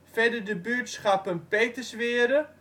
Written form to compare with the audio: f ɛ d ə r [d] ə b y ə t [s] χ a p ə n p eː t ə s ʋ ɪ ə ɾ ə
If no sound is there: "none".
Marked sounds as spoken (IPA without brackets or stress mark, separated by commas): d, s